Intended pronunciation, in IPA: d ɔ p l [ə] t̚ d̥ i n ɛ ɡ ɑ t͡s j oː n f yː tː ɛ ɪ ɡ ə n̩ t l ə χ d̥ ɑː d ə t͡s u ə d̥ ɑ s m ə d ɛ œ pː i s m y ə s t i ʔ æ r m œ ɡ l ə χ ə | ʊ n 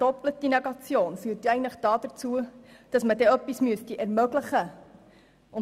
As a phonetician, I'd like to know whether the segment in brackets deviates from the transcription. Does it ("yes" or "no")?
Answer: no